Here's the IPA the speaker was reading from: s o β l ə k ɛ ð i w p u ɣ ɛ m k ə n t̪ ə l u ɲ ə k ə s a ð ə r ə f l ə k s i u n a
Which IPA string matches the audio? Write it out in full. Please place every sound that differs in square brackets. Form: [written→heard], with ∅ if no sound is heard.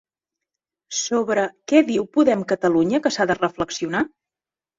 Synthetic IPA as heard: s o β [l→ɾ] ə k ɛ ð i w p u [ɣ→ð] ɛ m k ə [n→∅] t̪ ə l u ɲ ə k ə s a ð ə r ə f l ə k s i u n a